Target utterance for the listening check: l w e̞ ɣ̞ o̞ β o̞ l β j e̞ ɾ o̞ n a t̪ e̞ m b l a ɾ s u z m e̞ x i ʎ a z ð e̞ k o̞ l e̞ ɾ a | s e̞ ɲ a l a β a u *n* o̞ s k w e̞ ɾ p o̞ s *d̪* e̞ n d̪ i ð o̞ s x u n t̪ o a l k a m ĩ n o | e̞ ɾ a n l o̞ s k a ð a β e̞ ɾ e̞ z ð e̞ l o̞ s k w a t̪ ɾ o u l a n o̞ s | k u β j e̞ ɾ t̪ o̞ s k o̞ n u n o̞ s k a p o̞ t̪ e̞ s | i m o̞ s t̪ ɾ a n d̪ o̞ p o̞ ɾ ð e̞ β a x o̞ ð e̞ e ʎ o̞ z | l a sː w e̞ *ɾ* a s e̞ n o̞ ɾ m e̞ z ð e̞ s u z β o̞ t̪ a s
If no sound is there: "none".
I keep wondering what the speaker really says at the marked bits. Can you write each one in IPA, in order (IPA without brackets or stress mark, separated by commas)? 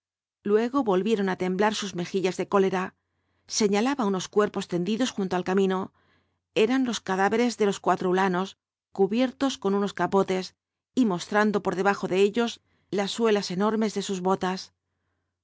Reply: n, t̪, l